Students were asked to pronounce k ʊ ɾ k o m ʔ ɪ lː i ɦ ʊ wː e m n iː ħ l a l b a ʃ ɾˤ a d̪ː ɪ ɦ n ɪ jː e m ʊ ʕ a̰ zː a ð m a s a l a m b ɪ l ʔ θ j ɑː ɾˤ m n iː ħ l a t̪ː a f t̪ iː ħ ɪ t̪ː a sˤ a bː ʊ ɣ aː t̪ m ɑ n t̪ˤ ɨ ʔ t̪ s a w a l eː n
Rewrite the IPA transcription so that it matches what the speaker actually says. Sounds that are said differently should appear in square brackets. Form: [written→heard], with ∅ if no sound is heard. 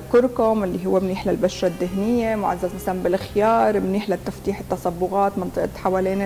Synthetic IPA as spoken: k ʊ ɾ k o m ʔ ɪ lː i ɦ ʊ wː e m n iː ħ l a l b a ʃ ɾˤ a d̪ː ɪ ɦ n ɪ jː e m ʊ ʕ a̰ zː a [ð→z] m a s a l a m b ɪ l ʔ [θ→x] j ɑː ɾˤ m n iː ħ l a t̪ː a f t̪ iː ħ ɪ t̪ː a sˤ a bː ʊ ɣ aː t̪ m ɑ n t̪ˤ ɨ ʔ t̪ [s→ħ] a w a l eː n